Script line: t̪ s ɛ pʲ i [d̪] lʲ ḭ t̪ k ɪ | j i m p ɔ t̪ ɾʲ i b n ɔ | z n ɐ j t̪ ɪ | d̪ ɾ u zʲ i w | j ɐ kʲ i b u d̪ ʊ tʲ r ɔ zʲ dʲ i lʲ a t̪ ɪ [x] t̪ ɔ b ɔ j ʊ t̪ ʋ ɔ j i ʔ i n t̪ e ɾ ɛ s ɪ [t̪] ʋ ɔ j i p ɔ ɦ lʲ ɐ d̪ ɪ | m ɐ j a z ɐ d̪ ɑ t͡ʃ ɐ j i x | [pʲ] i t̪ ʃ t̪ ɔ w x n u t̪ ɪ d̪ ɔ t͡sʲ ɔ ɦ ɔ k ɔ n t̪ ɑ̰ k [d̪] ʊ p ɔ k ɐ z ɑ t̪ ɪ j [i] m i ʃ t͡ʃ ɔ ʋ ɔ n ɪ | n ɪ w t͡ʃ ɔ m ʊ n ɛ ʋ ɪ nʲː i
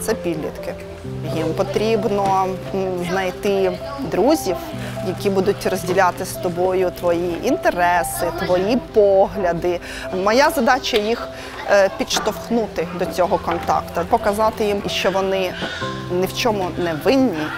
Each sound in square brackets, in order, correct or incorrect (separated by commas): correct, incorrect, correct, correct, incorrect, correct